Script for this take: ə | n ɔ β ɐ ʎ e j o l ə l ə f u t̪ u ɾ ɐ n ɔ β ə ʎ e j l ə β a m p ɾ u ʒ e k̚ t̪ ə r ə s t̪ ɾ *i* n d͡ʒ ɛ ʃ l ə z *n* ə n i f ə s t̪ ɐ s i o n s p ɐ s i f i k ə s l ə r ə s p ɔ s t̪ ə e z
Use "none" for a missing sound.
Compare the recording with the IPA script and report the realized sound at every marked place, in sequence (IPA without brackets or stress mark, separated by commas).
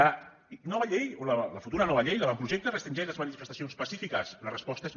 i, m